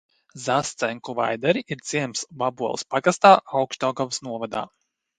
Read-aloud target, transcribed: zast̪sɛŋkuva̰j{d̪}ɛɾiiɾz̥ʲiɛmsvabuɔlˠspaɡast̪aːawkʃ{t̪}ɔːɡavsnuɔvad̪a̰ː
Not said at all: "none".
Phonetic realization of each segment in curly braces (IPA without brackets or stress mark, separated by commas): d̪, t̪